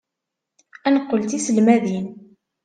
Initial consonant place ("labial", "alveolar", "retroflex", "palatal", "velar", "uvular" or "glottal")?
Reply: alveolar